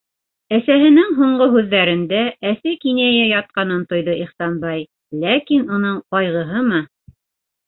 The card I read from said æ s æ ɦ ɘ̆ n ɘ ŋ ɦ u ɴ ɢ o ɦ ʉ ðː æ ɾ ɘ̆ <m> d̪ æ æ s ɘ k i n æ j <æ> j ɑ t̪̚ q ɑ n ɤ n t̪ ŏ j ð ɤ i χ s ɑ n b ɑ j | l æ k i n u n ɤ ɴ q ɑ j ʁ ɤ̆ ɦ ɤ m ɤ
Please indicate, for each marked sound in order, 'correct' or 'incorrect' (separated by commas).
incorrect, correct